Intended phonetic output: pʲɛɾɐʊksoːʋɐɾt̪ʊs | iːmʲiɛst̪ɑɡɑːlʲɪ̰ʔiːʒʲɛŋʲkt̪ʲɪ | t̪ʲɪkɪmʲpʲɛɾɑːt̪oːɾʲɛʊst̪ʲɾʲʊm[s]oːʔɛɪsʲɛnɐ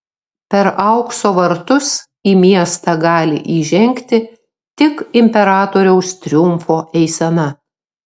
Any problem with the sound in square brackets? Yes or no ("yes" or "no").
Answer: yes